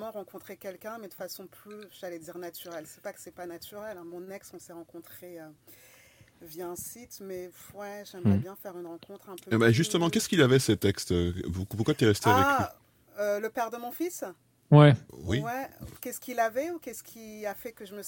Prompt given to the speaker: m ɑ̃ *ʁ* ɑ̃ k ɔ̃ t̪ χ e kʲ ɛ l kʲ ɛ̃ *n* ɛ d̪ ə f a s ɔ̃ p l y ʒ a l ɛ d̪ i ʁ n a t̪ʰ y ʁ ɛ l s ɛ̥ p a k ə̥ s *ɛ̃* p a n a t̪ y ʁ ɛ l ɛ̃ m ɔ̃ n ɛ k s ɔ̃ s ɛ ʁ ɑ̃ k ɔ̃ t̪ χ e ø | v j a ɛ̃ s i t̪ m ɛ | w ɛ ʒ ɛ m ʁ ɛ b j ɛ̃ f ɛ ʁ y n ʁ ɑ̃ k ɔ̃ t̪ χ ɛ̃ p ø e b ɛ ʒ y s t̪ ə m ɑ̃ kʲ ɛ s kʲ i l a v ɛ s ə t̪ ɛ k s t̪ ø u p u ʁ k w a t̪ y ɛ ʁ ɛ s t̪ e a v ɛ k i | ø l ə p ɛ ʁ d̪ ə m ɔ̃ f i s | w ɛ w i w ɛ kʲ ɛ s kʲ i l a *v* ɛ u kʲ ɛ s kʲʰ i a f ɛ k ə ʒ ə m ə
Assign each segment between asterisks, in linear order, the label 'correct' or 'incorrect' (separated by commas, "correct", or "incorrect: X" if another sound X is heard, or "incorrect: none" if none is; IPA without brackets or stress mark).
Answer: correct, incorrect: m, incorrect: ɛ, correct